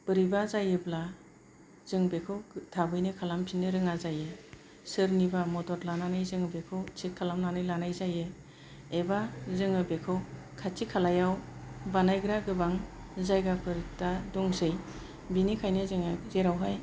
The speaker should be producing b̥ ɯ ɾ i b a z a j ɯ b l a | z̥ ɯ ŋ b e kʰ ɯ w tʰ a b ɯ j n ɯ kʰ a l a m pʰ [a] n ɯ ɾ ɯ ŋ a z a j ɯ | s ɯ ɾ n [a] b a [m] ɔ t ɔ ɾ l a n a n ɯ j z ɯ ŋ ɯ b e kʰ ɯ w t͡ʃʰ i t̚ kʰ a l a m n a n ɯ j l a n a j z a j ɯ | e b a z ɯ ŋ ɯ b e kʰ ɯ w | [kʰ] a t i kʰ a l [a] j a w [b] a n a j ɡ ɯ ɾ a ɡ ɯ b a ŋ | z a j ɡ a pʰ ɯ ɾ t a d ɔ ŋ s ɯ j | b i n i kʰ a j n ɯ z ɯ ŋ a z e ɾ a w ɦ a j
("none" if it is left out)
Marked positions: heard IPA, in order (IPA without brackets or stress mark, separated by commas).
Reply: i, i, m, kʰ, a, b